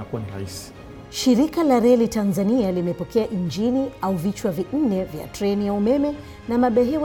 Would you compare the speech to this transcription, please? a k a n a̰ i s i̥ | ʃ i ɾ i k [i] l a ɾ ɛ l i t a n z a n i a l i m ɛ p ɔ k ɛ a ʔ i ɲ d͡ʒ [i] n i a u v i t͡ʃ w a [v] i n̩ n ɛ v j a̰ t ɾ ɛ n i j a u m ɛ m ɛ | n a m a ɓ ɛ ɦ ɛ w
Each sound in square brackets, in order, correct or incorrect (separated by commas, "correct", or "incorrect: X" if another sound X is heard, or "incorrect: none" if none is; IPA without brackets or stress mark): incorrect: a, correct, correct